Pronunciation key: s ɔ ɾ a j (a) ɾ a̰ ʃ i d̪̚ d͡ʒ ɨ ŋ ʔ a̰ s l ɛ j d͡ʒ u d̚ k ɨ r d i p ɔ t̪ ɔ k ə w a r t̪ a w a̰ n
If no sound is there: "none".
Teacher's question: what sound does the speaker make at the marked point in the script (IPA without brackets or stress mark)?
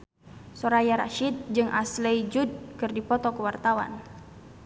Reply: a